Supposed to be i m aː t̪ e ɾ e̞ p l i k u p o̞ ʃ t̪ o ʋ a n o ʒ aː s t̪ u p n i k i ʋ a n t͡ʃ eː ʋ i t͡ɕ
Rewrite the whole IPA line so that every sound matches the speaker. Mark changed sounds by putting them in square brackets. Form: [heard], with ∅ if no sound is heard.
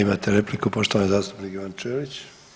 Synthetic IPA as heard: i m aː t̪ e ɾ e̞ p l i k u p o̞ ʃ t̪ o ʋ a n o [z] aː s t̪ u p n i k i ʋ a n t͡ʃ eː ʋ i t͡ɕ